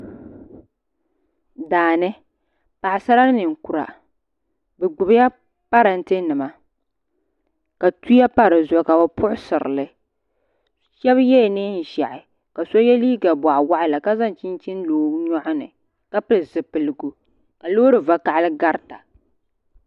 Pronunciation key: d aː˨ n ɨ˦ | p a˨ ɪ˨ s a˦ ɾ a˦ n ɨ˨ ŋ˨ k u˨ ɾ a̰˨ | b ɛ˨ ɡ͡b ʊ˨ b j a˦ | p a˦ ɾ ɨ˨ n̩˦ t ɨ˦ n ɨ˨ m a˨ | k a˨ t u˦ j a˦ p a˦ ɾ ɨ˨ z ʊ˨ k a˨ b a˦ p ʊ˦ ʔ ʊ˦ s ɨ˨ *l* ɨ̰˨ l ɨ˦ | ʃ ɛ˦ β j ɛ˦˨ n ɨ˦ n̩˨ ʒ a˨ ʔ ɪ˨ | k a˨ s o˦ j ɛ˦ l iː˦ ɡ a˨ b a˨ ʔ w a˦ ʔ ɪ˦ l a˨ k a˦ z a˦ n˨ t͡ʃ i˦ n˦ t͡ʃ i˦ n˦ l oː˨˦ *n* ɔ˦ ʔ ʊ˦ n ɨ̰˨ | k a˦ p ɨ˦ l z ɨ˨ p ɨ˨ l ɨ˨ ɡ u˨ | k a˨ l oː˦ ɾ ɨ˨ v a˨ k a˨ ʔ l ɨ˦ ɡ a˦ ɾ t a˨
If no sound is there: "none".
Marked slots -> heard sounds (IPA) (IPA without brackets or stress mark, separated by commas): ɾ, ɲ